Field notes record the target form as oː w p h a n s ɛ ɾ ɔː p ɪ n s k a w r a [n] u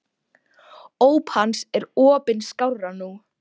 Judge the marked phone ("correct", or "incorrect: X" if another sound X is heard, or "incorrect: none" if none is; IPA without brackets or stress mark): correct